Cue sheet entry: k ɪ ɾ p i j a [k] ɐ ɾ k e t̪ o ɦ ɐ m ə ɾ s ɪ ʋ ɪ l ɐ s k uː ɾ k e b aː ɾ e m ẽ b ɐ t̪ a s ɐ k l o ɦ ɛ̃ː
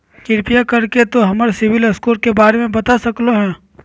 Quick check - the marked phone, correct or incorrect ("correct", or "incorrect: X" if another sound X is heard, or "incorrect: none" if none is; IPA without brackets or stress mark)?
correct